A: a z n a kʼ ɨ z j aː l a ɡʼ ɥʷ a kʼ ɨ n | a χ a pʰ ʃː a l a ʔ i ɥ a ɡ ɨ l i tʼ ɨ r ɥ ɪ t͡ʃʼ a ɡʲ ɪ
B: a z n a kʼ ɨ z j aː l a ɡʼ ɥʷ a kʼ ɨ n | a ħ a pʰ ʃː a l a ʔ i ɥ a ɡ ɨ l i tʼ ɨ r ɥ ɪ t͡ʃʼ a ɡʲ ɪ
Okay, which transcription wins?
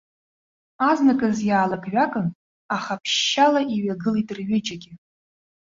A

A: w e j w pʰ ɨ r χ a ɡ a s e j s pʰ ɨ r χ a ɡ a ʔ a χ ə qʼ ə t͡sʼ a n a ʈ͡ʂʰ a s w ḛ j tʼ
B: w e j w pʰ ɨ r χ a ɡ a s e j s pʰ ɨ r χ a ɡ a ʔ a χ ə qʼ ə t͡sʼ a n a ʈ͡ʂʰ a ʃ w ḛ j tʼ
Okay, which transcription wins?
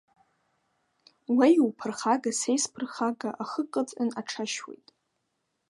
B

